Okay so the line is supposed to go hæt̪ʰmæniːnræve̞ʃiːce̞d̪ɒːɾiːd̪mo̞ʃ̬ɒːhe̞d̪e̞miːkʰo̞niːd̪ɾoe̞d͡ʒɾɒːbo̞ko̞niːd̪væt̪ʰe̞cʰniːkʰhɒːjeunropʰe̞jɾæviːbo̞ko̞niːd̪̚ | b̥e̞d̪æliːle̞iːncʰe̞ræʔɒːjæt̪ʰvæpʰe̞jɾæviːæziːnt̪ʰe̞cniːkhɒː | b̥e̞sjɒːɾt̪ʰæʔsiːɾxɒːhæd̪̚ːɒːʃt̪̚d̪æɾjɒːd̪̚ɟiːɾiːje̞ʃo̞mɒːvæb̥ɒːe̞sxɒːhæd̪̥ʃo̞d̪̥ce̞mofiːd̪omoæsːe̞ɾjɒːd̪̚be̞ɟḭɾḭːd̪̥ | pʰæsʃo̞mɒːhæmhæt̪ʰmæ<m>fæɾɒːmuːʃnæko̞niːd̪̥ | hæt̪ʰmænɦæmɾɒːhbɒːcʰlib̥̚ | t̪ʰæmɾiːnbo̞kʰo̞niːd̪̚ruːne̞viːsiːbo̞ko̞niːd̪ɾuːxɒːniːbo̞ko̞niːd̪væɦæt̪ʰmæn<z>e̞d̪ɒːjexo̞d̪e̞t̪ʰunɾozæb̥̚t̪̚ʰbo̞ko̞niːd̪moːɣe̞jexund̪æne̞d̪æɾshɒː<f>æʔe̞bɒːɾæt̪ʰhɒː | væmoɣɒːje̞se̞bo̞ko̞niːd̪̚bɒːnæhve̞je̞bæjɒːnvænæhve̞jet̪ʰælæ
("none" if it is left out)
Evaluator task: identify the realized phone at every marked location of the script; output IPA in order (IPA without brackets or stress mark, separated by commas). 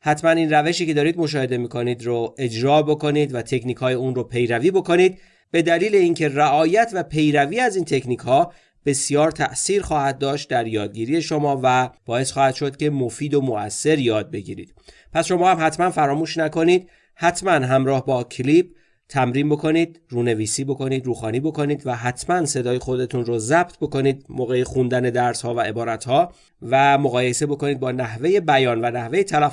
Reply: n, s, v